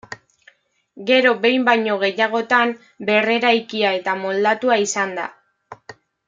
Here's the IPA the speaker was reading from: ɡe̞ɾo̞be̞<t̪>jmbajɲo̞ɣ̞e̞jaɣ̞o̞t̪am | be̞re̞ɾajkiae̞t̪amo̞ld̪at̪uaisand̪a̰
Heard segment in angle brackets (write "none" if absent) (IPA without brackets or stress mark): none